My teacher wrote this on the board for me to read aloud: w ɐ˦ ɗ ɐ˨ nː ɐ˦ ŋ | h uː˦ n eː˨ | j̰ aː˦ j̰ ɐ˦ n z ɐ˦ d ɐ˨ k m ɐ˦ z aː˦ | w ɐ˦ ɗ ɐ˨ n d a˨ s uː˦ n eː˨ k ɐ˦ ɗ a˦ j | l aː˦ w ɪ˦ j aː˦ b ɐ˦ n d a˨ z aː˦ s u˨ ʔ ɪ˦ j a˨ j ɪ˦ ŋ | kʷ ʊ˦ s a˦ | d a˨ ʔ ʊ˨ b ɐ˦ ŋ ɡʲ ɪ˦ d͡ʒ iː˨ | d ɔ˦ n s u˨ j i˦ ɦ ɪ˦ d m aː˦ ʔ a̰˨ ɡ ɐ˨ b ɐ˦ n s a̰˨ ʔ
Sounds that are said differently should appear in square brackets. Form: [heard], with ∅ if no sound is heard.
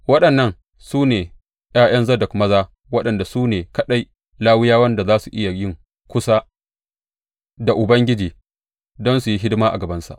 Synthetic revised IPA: w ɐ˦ ɗ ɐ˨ nː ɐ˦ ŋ | [s] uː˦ n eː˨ | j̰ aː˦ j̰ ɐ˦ n z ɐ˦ d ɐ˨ k m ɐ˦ z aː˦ | w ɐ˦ ɗ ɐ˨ n d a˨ s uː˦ n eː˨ k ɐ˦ ɗ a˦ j | l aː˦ w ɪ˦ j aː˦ [w] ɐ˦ n d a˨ z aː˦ s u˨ ʔ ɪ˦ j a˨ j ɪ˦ ŋ | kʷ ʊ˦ s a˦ | d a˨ ʔ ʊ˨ b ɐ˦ ŋ ɡʲ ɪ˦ d͡ʒ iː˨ | d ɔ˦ n s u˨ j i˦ ɦ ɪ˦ d m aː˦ ʔ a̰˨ ɡ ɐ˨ b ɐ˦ n s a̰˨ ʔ

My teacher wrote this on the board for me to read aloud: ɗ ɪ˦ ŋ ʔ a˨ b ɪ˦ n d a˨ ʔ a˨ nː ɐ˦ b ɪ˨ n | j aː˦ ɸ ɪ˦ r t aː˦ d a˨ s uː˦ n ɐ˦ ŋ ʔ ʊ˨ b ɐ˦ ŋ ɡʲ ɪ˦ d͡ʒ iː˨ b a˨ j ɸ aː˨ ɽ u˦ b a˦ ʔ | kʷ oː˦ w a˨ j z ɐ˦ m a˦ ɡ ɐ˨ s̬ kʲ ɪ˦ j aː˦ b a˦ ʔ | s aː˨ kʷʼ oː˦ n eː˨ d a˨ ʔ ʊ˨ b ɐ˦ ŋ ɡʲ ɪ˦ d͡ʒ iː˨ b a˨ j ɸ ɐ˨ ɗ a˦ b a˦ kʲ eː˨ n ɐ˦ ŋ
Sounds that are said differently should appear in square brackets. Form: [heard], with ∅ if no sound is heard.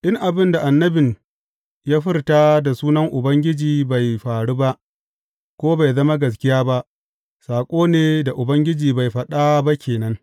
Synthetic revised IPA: ɗ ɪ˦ ŋ ʔ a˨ b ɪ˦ n d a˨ ʔ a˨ nː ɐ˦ b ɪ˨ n | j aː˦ ɸ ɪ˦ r t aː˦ d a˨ s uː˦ n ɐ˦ ŋ ʔ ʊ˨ b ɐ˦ ŋ ɡʲ ɪ˦ d͡ʒ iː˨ b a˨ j ɸ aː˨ ɽ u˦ b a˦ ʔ | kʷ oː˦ [b] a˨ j z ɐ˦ m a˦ ɡ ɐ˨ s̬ kʲ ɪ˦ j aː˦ b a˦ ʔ | s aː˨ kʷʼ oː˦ n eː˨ d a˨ ʔ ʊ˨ b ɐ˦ ŋ ɡʲ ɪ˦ d͡ʒ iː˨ b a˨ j ɸ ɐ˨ ɗ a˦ b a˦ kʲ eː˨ n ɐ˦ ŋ

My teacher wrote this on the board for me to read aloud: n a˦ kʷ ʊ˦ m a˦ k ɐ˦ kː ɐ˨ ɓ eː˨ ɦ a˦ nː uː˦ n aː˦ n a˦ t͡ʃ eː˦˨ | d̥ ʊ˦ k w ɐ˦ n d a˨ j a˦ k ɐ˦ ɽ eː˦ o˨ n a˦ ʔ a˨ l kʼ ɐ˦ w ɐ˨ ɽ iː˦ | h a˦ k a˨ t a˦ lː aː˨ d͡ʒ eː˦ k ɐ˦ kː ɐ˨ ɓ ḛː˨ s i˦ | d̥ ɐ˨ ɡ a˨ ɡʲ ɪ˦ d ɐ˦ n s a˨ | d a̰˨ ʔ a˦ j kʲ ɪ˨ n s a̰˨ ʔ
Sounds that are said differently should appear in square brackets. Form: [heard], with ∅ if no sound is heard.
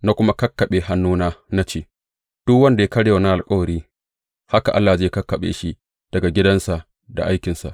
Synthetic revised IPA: n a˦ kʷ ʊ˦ m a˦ k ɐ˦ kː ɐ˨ ɓ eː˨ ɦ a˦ nː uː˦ n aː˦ n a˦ t͡ʃ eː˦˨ | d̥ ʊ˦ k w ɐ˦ n d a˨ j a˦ k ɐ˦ ɽ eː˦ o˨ n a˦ ʔ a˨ l kʼ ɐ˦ w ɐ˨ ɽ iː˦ | h a˦ k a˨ [ʔ] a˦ lː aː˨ d͡ʒ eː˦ k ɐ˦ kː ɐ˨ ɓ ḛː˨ [ʃ] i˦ | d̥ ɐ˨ ɡ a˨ ɡʲ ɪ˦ d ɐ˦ n s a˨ | d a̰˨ ʔ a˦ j kʲ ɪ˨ n s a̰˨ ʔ

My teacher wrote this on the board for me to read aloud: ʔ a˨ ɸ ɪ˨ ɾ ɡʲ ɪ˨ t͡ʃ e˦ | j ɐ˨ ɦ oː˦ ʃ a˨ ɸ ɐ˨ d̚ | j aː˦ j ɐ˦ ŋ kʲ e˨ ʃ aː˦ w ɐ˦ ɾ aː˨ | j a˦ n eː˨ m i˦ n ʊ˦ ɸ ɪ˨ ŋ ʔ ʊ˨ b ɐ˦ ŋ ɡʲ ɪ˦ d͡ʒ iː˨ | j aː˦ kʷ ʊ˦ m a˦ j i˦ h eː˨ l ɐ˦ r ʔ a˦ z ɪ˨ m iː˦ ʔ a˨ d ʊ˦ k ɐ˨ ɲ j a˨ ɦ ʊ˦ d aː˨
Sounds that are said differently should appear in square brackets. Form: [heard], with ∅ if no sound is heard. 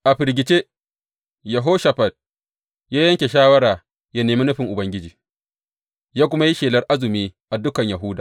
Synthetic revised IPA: ʔ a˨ ɸ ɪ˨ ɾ ɡʲ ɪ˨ t͡ʃ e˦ | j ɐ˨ ɦ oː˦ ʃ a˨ ɸ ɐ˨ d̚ | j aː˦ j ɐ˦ ŋ kʲ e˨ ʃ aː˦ w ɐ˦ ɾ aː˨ | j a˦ n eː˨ m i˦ n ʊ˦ ɸ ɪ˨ ŋ ʔ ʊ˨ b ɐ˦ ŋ ɡʲ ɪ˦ d͡ʒ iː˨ | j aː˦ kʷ ʊ˦ m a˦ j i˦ [ʃ] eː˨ l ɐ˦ r ʔ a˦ z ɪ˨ m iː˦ ʔ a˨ d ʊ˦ k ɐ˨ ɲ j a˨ ɦ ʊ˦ d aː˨

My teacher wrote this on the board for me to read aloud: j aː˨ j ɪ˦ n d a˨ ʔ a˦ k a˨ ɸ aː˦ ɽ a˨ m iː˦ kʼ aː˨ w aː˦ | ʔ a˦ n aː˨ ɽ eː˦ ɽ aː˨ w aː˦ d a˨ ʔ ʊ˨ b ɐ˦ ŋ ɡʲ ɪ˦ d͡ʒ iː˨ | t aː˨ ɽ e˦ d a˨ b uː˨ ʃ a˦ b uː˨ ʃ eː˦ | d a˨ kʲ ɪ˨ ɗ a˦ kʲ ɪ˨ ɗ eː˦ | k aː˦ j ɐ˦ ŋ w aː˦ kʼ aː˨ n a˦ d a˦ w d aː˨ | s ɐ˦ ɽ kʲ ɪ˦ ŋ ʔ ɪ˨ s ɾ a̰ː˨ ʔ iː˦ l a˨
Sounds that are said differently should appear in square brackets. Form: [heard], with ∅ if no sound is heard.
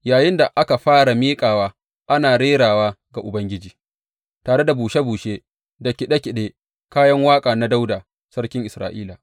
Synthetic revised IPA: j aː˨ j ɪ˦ n d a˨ ʔ a˦ k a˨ ɸ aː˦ ɽ a˨ m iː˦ kʼ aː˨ w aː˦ | ʔ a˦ n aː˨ ɽ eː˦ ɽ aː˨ w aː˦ [ɡ] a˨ ʔ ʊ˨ b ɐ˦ ŋ ɡʲ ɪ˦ d͡ʒ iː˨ | t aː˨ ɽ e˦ d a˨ b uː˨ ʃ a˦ b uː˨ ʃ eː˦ | d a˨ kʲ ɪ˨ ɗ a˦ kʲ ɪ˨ ɗ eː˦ | k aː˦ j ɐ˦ ŋ w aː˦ kʼ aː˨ n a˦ d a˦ w d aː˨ | s ɐ˦ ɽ kʲ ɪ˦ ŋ ʔ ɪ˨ s ɾ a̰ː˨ ʔ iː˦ l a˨

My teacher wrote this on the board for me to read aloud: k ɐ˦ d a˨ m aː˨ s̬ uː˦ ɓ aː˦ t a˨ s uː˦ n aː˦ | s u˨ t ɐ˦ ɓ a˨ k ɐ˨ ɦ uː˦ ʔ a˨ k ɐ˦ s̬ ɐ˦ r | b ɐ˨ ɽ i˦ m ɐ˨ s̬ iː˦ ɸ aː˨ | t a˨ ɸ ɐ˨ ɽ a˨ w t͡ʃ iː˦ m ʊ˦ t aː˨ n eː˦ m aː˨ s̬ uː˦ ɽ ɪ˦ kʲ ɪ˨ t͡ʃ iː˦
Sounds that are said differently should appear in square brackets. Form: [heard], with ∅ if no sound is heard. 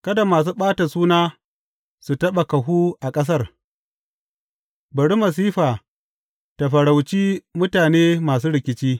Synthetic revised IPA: k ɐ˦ d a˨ m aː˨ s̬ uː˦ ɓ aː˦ t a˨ s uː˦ n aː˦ | s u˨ t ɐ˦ ɓ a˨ k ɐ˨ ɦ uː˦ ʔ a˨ [kʼ] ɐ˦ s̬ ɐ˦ r | b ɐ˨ ɽ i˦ m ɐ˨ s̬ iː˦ ɸ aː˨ | t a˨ ɸ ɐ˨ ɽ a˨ w t͡ʃ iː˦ m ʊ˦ t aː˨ n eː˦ m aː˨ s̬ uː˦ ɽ [ɪ˨] kʲ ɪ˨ t͡ʃ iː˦

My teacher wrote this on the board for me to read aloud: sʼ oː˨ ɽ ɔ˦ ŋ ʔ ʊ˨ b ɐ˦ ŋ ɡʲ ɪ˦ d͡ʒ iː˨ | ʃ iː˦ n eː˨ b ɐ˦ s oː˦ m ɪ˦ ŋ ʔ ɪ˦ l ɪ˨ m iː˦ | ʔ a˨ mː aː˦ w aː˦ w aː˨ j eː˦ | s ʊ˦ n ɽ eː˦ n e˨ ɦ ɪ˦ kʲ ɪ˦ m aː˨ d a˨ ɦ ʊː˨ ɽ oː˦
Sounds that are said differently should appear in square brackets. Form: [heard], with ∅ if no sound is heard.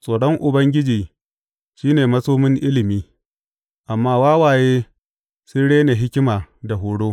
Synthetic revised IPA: sʼ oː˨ ɽ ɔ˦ ŋ ʔ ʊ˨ b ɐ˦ ŋ ɡʲ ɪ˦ d͡ʒ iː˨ | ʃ iː˦ n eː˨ [m] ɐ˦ s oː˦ m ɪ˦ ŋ ʔ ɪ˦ l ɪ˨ m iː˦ | ʔ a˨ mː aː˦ w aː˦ w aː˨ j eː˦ | s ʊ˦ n ɽ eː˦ n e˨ ɦ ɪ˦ kʲ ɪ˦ m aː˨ d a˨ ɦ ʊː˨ ɽ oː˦

